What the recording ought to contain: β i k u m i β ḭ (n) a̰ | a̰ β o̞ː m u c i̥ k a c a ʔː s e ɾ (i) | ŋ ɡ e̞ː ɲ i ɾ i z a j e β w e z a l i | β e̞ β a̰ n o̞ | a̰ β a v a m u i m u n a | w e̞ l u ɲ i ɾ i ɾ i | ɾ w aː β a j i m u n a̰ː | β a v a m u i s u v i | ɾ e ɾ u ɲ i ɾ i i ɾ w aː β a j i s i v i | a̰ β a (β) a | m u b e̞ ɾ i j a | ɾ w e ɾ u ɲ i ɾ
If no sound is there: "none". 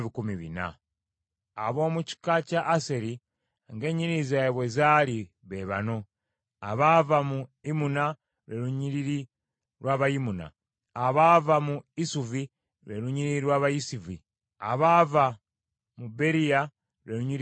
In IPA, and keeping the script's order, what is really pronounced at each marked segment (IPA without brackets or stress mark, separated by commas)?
n, i, v